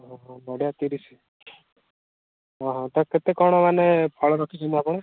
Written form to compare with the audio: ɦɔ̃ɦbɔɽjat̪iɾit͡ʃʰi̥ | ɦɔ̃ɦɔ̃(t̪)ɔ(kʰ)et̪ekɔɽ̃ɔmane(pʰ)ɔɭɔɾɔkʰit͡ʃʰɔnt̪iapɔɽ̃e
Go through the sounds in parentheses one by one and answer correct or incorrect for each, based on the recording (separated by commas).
correct, incorrect, correct